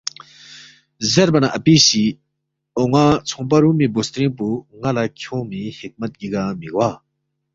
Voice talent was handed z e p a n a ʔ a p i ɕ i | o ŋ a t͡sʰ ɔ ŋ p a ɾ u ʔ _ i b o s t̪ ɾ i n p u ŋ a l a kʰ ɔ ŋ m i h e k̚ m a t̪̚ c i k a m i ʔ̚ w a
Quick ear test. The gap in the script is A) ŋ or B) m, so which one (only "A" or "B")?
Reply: B